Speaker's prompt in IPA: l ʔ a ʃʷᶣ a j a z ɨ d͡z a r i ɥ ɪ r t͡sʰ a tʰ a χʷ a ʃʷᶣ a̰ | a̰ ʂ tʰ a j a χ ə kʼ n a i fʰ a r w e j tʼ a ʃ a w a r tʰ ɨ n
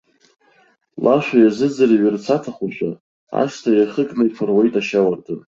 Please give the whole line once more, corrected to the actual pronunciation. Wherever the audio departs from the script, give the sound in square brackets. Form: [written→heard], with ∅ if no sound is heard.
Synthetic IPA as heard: l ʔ a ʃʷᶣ a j a z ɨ d͡z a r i ɥ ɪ r t͡sʰ a tʰ a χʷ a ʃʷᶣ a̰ | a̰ ʂ tʰ a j a χ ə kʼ n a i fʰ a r w e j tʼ a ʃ a w a r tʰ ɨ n

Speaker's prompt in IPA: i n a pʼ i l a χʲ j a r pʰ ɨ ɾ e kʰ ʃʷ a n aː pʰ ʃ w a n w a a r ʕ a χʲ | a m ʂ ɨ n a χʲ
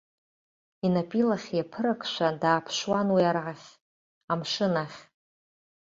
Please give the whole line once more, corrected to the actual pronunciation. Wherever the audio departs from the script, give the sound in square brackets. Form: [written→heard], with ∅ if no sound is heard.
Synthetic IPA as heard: i n a pʼ i l a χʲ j a [r→∅] pʰ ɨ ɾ [e→a] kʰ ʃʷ a [n→d] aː pʰ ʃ w a n w [a→i] a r ʕ a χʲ | a m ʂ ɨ n a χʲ

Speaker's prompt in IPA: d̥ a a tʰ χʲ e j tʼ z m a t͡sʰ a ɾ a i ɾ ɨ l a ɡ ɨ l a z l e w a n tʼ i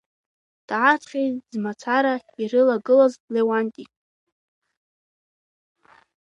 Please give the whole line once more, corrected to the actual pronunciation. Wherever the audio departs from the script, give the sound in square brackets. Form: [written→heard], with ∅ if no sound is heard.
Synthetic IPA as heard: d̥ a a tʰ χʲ e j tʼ z m a t͡sʰ a ɾ a i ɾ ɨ l a ɡ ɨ l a z l e w a n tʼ i

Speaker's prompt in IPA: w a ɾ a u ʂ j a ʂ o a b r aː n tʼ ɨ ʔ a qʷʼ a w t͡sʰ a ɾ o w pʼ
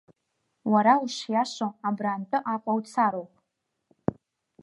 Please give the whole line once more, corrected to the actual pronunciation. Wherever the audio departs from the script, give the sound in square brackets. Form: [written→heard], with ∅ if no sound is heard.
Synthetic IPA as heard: w a ɾ a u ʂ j a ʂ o a b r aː n tʼ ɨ ʔ a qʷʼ a w t͡sʰ a ɾ o w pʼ

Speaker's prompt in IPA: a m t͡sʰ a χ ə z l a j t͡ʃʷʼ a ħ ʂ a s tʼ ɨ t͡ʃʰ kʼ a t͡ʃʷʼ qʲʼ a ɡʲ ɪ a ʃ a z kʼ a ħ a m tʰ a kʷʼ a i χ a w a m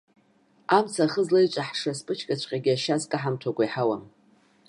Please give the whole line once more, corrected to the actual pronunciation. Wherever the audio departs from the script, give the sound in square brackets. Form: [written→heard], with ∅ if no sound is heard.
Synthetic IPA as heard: a m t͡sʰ a χ ə z l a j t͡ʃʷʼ a ħ ʂ a s [tʼ→pʼ] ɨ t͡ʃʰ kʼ a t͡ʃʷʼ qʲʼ a ɡʲ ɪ a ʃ a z kʼ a ħ a m tʰ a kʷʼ a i [χ→ħ] a w a m

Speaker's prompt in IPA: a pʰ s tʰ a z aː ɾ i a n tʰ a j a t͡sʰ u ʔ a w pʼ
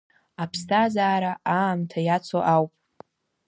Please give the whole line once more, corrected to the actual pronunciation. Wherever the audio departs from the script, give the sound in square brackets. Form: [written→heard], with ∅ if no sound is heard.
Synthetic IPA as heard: a pʰ s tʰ a z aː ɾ [i→a] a [n→m] tʰ a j a t͡sʰ [u→o] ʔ a w pʼ

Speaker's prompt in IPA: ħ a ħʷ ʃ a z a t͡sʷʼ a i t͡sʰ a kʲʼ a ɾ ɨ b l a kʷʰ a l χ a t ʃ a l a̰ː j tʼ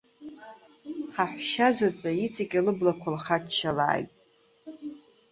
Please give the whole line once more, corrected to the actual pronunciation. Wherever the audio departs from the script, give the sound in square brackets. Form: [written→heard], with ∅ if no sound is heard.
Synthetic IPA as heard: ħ a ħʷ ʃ a z a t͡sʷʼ a i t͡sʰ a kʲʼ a [ɾ→l] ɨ b l a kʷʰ a l χ a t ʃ a l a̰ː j tʼ

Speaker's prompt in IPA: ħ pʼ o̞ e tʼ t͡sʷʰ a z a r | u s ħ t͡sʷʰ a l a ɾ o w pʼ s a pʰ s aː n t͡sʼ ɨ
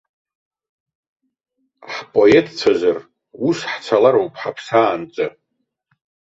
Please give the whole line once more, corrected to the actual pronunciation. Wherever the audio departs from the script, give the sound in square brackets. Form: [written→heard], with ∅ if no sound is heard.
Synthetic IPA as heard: ħ pʼ o̞ e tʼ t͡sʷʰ a z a r | u s ħ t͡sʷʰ a l a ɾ o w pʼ [s→ħ] a pʰ s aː n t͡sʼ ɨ

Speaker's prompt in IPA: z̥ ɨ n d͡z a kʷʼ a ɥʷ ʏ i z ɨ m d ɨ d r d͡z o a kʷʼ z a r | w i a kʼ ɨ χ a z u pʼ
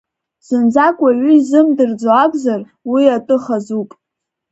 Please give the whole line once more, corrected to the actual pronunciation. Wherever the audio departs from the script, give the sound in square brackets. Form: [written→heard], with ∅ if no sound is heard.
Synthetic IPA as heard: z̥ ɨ n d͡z a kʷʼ a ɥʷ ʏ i z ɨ m d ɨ [d→∅] r d͡z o a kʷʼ z a r | w i a [kʼ→tʼ] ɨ χ a z u pʼ

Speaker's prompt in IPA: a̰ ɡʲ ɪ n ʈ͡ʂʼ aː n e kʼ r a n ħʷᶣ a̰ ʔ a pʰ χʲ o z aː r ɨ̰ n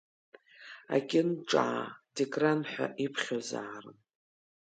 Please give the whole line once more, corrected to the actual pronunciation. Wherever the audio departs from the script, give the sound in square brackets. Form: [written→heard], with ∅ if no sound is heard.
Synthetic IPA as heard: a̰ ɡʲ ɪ n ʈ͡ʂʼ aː [n→d] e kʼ r a n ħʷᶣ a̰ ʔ [a→i] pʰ χʲ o z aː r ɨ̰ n

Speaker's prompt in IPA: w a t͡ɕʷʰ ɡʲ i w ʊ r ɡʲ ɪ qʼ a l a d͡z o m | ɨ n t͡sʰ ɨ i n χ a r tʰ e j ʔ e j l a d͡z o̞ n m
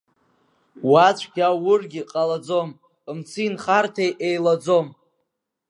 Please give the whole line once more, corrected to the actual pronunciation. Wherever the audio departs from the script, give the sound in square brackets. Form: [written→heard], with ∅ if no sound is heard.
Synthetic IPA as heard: w a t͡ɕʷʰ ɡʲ [i→a] w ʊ r ɡʲ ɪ qʼ a l a d͡z o m | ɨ [n→m] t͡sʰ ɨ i n χ a r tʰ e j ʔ e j l a d͡z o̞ [n→∅] m

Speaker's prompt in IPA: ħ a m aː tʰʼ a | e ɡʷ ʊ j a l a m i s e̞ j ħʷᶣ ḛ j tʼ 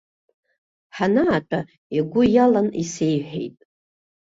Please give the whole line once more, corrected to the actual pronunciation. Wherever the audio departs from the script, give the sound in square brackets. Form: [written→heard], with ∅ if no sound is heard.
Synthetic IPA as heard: ħ a [m→n] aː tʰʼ a | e ɡʷ ʊ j a l a [m→n] i s e̞ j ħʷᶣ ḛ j tʼ

